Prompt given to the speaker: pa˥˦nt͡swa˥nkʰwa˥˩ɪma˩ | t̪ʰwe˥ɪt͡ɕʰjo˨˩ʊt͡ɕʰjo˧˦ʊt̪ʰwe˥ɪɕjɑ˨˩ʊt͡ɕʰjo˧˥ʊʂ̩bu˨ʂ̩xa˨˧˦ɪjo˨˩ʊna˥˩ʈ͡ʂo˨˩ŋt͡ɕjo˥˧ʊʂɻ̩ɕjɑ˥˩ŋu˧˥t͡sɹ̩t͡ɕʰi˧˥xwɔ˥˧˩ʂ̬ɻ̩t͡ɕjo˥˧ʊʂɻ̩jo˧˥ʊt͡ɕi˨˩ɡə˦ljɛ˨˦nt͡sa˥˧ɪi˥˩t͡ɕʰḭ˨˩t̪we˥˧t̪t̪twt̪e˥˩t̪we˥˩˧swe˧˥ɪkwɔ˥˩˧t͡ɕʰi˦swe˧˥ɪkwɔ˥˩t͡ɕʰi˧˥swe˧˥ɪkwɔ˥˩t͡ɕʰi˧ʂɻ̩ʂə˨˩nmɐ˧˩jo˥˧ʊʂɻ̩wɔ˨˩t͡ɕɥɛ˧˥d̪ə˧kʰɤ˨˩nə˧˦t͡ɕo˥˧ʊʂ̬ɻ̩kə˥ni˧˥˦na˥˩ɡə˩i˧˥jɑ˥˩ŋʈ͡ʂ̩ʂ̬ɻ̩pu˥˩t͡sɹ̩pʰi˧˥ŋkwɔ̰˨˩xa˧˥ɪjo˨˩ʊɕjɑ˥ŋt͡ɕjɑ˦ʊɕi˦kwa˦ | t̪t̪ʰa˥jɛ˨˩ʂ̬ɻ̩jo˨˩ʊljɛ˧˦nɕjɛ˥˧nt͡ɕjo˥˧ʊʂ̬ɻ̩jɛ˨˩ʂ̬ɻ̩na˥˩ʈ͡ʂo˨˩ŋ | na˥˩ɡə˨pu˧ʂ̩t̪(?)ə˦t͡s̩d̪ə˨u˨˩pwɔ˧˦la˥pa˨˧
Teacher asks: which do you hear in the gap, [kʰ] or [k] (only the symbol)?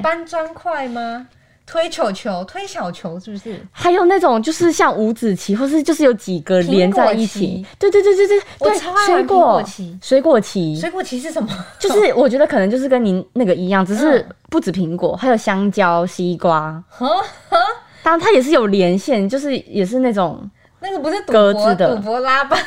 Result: k